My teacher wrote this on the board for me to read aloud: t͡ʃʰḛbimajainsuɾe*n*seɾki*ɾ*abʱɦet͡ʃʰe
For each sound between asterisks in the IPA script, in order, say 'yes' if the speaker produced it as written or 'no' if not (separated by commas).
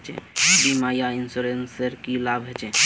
yes, no